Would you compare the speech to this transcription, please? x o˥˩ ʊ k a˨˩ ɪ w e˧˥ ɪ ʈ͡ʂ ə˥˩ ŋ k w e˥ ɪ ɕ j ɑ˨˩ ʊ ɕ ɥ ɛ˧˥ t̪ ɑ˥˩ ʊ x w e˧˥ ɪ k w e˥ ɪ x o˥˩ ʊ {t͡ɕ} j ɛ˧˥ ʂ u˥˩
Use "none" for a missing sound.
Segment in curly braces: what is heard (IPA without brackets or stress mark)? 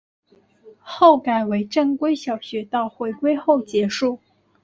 t͡ɕ